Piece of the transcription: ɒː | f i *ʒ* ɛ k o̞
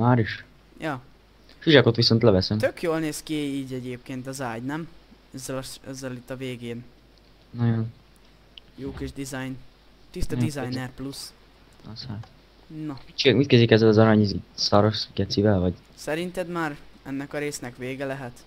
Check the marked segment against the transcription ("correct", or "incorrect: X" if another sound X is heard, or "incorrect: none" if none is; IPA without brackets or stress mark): correct